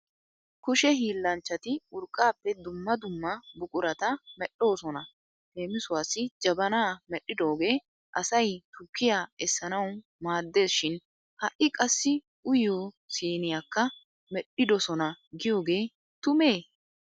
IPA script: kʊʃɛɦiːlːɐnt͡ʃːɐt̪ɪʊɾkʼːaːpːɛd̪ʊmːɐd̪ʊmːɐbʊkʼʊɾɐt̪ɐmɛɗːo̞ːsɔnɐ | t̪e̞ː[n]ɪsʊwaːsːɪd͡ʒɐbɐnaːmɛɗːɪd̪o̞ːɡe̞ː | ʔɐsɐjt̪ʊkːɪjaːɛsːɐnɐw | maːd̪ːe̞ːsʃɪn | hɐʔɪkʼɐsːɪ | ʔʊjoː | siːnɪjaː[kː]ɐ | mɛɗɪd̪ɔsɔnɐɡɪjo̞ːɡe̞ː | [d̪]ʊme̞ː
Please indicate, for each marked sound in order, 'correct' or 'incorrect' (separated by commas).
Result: incorrect, correct, incorrect